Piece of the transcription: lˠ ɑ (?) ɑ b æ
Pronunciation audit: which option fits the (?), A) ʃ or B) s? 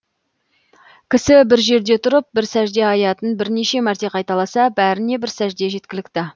B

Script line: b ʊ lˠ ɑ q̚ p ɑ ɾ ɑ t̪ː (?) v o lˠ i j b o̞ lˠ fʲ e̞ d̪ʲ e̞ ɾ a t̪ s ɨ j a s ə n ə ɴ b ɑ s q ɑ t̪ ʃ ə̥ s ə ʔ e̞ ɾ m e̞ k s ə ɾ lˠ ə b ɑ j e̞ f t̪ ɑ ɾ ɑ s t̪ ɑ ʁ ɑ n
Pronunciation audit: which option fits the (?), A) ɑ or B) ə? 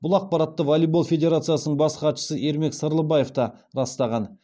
B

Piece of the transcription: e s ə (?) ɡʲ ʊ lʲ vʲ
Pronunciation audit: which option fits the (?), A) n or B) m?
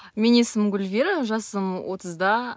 B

